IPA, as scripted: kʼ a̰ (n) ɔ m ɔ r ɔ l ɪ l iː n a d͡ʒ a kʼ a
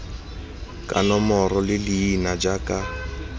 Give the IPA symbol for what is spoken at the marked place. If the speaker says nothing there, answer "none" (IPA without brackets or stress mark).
n